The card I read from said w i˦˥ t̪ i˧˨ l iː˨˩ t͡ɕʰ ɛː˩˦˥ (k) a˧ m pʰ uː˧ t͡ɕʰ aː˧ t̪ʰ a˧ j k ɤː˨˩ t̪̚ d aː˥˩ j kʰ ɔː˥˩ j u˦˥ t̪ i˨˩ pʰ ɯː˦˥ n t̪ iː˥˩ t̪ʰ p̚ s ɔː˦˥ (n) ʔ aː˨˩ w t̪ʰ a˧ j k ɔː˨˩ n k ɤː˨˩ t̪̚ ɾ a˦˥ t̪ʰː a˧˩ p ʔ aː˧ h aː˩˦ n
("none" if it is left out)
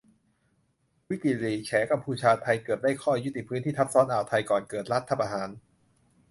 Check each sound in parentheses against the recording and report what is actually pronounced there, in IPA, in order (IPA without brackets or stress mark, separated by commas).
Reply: k, n